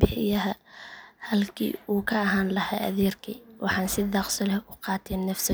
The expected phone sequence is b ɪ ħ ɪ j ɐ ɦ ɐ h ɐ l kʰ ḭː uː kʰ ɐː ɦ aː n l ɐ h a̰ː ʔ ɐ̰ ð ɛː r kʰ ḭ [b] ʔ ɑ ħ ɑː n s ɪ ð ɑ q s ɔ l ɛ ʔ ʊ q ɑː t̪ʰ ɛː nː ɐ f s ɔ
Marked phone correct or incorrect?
incorrect: w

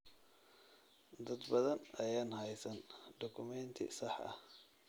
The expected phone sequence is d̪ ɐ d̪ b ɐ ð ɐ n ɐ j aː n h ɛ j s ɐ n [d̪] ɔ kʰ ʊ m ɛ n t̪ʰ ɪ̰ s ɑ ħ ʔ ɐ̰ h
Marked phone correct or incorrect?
correct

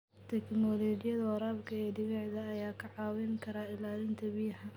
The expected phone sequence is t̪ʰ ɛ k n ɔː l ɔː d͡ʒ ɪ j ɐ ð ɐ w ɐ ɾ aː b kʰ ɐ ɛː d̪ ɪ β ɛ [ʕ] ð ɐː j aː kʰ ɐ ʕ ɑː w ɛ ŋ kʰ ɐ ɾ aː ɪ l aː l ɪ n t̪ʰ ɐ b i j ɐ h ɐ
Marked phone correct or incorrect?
correct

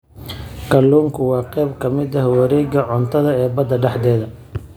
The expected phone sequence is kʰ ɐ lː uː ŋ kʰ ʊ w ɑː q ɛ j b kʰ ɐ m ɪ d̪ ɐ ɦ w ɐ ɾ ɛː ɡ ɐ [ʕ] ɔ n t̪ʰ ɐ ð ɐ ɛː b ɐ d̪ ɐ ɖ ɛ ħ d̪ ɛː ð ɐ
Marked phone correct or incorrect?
correct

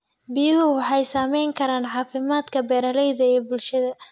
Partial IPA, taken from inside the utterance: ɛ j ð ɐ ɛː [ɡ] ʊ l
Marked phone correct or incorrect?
incorrect: b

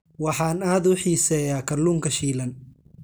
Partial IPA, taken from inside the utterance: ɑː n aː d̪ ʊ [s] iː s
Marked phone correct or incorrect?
incorrect: ħ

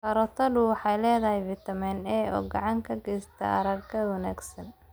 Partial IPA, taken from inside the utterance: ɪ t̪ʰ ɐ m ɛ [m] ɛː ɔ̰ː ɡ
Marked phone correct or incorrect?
incorrect: n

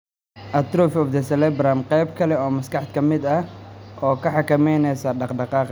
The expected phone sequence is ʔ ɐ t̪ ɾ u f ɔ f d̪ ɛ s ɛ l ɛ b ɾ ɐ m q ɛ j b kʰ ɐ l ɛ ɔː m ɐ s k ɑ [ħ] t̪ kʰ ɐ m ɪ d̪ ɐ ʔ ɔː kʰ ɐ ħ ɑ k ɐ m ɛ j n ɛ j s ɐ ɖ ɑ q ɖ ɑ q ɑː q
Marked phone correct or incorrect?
correct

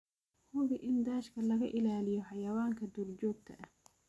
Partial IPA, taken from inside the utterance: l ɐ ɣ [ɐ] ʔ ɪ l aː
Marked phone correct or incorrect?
correct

